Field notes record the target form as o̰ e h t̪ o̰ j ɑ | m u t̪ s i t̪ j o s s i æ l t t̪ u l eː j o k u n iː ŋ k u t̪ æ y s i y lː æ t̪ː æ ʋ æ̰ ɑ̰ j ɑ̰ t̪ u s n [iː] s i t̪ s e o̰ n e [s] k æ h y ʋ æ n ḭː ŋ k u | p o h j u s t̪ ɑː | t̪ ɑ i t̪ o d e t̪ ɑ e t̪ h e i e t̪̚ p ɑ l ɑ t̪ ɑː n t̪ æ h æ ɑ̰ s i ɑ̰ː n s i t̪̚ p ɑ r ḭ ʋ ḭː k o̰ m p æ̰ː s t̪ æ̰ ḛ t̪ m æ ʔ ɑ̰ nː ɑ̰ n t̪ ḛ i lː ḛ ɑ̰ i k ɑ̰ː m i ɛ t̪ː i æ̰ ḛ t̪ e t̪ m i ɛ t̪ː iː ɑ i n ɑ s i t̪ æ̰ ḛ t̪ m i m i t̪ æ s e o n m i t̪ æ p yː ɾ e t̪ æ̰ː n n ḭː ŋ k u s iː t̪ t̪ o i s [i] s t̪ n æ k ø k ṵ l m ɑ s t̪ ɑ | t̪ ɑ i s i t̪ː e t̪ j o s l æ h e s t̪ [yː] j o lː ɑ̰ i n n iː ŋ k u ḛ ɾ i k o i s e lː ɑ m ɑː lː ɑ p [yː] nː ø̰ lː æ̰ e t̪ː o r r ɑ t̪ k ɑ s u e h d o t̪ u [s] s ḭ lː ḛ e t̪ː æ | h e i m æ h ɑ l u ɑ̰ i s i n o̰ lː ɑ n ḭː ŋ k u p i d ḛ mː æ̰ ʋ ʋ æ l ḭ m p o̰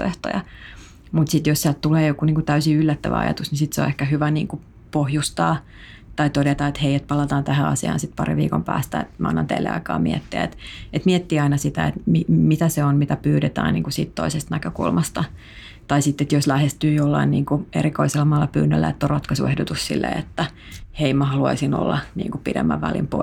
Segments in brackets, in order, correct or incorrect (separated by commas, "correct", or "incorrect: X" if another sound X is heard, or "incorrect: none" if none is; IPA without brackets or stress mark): incorrect: i, incorrect: h, incorrect: e, correct, correct, correct